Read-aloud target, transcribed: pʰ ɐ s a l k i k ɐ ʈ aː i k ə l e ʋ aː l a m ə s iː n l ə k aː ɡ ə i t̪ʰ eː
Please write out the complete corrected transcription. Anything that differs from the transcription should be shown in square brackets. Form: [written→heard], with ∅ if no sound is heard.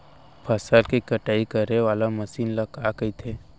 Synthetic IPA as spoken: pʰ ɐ s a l k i k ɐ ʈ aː i k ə [l→ɾ] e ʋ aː l a m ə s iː n l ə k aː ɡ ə i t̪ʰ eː